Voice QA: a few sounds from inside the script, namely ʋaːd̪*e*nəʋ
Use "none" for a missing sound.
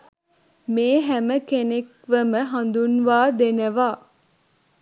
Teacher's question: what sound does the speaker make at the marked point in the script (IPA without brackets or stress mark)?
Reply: e